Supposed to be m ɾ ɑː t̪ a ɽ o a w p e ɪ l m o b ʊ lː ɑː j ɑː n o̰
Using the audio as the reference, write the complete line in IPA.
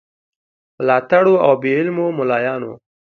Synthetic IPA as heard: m l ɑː t̪ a ɽ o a w b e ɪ l m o m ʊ l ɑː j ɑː n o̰